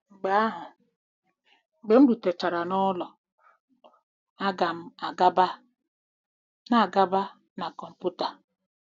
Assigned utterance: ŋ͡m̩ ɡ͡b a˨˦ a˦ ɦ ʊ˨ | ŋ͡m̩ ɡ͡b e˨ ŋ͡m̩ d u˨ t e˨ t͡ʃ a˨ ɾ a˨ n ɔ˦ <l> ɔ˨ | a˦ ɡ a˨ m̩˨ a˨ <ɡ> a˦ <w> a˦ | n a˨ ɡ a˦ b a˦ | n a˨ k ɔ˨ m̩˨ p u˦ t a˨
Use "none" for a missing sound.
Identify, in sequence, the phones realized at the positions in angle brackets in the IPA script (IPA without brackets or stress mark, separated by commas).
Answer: l, ɡ, b